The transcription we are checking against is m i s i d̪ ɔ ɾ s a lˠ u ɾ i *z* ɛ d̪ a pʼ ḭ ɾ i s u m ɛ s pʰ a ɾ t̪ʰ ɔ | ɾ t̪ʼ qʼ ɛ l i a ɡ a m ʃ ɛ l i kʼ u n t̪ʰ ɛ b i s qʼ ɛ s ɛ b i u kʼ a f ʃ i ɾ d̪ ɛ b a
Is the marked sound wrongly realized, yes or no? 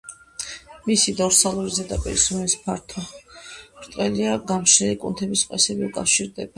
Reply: no